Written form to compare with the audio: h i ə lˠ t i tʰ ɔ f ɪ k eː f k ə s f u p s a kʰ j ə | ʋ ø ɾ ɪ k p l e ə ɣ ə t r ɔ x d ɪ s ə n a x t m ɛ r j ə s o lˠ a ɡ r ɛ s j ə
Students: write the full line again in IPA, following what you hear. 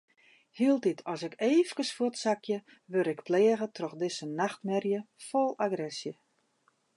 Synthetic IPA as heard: h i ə lˠ t i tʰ ɔ s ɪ k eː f k ə s f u t s a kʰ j ə | ʋ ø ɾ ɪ k p l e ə ɣ ə t r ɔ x d ɪ s ə n a x t m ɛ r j ə f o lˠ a ɡ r ɛ s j ə